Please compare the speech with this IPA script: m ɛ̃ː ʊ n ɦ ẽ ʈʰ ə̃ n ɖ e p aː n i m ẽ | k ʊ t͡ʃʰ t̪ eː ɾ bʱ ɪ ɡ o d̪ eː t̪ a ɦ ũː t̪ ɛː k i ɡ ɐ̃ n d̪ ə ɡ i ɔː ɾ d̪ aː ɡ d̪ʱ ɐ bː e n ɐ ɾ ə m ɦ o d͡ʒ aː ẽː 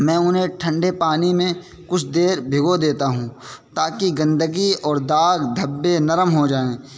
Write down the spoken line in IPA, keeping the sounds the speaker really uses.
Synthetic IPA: m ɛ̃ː ʊ n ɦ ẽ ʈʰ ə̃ ɳ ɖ e p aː n i m ẽ | k ʊ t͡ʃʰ d̪ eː ɾ bʱ ɪ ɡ o d̪ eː t̪ a ɦ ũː t̪ aː k i ɡ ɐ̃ n d̪ ə ɡ i ɔː ɾ d̪ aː ɡ d̪ʱ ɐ bː e n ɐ ɾ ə m ɦ o d͡ʒ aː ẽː